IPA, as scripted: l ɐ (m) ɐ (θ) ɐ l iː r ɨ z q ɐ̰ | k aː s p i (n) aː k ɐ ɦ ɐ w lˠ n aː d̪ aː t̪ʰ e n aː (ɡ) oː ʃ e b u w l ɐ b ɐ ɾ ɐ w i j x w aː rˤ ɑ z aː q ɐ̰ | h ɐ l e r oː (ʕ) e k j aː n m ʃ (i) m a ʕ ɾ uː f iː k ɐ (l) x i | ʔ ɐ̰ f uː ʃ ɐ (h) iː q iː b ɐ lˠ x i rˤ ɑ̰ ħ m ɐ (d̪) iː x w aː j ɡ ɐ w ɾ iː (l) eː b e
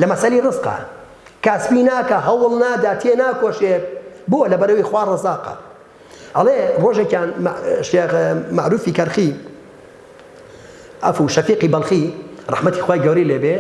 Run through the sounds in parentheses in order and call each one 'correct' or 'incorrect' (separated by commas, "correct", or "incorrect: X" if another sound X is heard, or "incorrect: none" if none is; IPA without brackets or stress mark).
correct, incorrect: s, correct, incorrect: k, incorrect: ʒ, incorrect: e, incorrect: ɾ, incorrect: f, incorrect: t̪, correct